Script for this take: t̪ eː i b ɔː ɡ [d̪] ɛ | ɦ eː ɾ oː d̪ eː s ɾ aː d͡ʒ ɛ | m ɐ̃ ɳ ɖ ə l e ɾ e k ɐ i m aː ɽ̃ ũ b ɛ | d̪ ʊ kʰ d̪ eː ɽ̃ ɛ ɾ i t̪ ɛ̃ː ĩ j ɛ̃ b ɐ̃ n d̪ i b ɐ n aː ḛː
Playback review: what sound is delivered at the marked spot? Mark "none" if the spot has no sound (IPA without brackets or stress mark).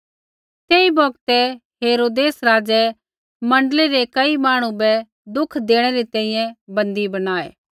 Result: t̪